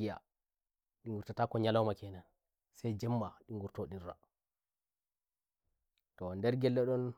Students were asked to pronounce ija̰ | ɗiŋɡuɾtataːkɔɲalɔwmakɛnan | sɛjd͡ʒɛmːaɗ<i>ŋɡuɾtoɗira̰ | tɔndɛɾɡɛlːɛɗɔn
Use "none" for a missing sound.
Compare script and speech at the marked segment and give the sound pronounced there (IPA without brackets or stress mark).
i